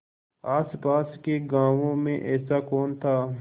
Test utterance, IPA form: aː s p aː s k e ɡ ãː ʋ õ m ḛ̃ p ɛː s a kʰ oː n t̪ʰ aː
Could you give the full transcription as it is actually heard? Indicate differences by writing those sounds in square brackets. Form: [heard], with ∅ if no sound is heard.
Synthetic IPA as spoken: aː s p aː s k e ɡ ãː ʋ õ m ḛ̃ [ʔ] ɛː s a [k] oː n t̪ʰ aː